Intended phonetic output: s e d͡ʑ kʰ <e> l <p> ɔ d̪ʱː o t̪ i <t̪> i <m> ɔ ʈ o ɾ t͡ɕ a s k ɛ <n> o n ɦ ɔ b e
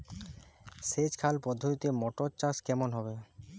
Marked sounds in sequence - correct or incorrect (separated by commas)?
incorrect, correct, correct, correct, incorrect